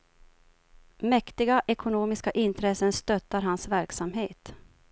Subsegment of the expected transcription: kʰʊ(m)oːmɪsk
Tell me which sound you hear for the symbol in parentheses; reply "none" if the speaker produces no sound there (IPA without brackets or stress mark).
n